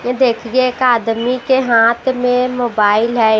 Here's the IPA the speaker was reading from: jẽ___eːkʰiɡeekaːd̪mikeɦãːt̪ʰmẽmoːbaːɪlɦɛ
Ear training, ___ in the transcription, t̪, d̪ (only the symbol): d̪